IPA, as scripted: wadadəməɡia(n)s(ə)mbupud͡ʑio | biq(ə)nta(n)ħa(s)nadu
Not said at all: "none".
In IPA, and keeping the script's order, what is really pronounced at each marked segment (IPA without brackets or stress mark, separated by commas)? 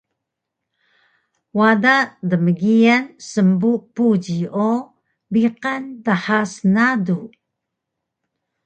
n, ə, a, none, s